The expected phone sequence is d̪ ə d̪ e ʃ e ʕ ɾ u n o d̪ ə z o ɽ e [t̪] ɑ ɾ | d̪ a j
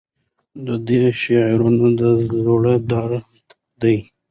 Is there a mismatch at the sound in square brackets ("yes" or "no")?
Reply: yes